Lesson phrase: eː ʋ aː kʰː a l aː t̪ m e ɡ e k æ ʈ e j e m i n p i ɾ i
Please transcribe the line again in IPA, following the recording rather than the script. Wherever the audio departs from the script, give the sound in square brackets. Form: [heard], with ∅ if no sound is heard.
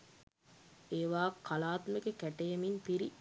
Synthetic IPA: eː ʋ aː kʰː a l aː t̪ m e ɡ e k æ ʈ e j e m i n p i ɾ i